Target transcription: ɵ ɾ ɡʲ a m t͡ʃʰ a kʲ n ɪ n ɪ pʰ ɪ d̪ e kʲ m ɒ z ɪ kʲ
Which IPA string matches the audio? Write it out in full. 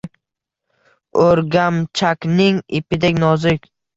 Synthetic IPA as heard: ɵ ɾ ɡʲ a m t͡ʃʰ a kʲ n ɪ ŋ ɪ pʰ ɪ d̪ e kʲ n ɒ z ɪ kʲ